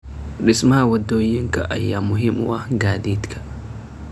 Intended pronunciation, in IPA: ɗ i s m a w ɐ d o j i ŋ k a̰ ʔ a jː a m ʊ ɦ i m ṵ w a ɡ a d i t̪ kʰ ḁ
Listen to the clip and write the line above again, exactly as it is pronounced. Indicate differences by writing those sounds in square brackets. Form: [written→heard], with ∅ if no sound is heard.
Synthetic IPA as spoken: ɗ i s m a w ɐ d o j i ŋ k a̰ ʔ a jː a m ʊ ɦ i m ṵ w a ɡ a d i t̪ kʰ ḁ